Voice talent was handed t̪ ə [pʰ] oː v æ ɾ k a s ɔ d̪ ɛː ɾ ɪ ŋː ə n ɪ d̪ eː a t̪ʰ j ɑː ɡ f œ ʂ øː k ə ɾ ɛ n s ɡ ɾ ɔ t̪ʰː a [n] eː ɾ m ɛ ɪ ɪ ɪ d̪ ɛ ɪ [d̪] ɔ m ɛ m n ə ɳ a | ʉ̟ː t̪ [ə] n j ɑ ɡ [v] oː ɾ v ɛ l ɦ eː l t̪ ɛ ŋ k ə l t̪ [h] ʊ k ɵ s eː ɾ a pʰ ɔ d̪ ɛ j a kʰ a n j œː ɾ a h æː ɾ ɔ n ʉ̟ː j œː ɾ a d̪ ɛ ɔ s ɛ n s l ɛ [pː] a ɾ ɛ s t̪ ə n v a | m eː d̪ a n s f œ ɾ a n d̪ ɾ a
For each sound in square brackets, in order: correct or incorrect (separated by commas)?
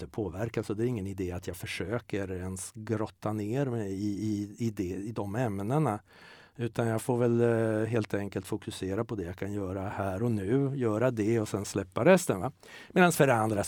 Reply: correct, correct, correct, incorrect, incorrect, incorrect, correct